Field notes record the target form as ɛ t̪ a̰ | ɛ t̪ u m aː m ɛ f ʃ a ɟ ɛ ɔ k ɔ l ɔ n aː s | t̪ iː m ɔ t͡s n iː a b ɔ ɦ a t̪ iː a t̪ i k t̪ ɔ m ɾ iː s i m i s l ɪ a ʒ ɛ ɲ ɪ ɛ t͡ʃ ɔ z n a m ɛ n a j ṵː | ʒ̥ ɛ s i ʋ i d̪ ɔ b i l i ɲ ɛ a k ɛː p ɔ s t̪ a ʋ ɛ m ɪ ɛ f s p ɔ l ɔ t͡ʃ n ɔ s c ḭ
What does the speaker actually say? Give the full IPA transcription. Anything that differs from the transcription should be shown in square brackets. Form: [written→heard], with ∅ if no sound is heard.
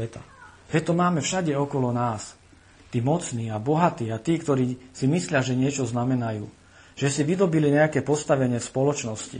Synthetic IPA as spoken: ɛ t̪ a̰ | ɛ t̪ [u→ɔ] m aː m ɛ f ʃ a ɟ ɛ ɔ k ɔ l ɔ n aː s | t̪ iː m ɔ t͡s n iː a b ɔ ɦ a t̪ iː a t̪ [i→iː] k t̪ ɔ [m→∅] ɾ iː s i m i s l ɪ a ʒ ɛ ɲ ɪ ɛ t͡ʃ ɔ z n a m ɛ n a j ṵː | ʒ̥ ɛ s i ʋ i d̪ ɔ b i l i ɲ ɛ a k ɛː p ɔ s t̪ a ʋ ɛ [m→ɲ] ɪ ɛ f s p ɔ l ɔ t͡ʃ n ɔ s c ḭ